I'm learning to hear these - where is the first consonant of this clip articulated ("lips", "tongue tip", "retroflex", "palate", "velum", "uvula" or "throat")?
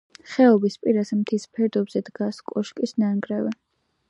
uvula